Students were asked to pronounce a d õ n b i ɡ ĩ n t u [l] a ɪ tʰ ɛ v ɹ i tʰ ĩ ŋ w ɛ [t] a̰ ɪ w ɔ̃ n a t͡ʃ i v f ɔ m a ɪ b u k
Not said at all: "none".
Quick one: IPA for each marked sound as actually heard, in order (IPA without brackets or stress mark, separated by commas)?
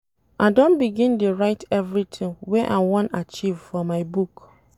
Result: ɹ, ʔ